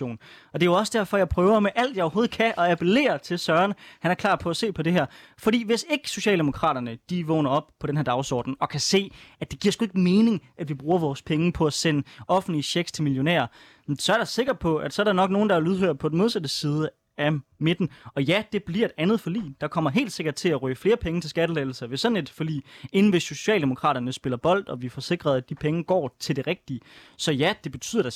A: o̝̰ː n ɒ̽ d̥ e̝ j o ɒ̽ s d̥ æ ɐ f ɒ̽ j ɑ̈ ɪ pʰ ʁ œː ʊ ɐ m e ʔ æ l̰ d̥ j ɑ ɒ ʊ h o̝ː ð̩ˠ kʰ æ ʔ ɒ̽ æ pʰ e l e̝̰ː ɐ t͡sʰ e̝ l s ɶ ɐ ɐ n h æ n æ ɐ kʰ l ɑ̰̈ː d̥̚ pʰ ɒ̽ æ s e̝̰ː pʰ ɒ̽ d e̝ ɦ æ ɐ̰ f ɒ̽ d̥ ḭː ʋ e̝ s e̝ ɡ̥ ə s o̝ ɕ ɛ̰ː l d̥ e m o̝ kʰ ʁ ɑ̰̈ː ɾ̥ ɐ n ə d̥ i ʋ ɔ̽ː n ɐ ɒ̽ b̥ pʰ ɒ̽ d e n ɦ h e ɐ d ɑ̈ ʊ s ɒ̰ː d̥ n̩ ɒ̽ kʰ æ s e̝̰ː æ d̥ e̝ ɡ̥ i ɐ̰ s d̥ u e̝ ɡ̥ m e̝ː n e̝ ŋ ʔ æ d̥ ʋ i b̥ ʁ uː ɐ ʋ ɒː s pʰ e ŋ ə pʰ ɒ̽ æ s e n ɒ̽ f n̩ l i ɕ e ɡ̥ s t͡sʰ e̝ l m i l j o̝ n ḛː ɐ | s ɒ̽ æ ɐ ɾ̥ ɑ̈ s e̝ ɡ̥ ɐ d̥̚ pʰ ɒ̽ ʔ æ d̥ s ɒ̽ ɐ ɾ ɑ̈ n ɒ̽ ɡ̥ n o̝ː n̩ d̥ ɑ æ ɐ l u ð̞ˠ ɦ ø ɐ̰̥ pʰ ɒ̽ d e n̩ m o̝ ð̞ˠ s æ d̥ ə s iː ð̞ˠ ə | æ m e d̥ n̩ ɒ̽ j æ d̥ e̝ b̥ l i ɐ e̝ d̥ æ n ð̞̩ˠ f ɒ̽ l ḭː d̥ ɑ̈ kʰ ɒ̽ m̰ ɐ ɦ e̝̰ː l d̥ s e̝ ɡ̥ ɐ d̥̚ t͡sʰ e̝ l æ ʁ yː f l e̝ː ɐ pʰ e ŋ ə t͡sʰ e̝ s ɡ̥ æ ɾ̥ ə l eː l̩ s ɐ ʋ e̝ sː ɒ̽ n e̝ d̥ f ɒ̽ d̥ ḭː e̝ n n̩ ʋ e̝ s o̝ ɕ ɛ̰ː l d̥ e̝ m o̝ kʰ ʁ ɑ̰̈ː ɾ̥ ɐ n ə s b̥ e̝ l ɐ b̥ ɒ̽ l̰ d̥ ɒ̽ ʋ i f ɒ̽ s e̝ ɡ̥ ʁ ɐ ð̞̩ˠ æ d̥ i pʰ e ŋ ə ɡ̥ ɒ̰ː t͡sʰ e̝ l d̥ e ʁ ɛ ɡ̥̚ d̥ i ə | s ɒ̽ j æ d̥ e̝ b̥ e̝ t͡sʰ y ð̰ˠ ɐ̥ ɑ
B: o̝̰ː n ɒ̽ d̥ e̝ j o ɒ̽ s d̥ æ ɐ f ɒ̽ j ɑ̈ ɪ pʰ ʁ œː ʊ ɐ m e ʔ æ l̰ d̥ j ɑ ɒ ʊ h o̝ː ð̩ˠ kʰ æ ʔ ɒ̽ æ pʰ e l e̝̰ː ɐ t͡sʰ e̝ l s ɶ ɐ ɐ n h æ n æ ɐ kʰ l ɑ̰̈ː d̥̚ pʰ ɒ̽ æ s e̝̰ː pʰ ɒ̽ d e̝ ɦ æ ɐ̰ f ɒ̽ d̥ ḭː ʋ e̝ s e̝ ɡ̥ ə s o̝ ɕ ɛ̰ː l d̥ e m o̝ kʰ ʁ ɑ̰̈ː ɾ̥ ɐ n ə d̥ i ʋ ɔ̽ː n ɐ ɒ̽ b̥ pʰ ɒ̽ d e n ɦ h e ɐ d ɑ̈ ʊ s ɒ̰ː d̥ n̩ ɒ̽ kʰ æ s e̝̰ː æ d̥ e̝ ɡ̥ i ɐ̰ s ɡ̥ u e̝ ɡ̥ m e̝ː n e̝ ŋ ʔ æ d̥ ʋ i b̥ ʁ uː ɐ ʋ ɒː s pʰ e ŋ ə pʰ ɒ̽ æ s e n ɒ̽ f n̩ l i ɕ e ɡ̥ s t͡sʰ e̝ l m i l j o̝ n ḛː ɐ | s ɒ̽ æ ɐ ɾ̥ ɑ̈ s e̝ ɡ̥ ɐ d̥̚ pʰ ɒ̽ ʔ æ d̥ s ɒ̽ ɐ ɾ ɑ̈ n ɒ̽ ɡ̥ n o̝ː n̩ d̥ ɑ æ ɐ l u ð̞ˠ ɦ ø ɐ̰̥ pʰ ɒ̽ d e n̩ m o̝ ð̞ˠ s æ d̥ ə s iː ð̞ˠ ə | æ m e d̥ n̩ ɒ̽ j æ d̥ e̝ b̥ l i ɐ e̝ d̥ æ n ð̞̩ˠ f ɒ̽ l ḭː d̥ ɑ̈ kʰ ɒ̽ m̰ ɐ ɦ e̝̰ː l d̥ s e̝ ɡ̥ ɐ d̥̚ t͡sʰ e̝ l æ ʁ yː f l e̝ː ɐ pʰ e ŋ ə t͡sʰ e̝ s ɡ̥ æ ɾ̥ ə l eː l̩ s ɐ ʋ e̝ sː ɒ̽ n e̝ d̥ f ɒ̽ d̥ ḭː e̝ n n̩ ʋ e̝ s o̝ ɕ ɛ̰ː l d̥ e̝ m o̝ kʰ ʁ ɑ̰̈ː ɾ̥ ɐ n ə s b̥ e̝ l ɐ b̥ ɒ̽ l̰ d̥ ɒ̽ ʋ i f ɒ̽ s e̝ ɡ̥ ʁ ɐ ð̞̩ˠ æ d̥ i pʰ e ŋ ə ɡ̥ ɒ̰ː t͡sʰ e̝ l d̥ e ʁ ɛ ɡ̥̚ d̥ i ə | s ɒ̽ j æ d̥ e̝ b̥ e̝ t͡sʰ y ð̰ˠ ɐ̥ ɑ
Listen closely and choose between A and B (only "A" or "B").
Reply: B